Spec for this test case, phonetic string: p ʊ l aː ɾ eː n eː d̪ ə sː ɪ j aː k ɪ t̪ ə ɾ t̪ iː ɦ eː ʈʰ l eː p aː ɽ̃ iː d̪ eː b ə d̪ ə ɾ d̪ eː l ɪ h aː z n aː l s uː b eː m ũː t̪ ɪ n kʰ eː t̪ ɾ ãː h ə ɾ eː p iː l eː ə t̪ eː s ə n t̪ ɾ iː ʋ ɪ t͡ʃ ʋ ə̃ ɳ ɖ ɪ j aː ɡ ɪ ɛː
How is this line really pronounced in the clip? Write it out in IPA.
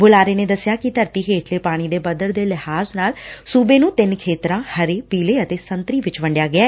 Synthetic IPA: b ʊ l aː ɾ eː n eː d̪ ə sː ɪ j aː k ɪ t̪ ə ɾ t̪ iː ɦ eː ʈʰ l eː p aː ɽ̃ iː d̪ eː b ə d̪ ə ɾ d̪ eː l ɪ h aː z n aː l s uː b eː n ũː t̪ ɪ n kʰ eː t̪ ɾ ãː h ə ɾ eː p iː l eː ə t̪ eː s ə n t̪ ɾ iː ʋ ɪ t͡ʃ ʋ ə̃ ɳ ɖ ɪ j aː ɡ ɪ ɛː